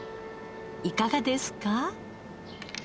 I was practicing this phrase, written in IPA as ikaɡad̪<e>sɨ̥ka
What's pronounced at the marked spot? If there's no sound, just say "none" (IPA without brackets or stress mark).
e